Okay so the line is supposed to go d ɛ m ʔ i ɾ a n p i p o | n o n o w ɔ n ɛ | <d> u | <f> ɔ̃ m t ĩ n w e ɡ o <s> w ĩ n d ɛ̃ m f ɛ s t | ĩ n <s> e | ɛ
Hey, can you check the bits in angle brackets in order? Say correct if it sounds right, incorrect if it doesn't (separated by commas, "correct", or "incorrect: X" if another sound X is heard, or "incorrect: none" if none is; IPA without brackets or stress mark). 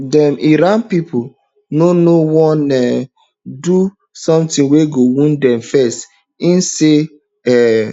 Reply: correct, incorrect: s, incorrect: none, correct